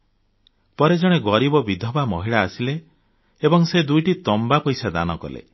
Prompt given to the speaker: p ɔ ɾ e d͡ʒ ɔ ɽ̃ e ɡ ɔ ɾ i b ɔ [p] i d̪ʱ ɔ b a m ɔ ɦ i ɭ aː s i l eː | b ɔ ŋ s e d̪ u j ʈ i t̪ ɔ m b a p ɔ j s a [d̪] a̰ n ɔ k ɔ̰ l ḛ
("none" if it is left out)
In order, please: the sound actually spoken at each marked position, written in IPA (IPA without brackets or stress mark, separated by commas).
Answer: b, d̪